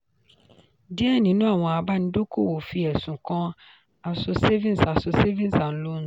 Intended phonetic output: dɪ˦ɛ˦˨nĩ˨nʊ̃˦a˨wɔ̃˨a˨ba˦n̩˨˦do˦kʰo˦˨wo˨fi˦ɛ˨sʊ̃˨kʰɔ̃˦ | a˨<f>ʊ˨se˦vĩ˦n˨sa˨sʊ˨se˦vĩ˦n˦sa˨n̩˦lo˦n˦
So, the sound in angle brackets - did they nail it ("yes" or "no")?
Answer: no